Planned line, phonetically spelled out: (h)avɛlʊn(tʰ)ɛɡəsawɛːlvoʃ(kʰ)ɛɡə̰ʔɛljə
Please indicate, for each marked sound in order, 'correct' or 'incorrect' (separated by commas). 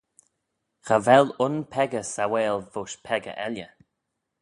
incorrect, incorrect, incorrect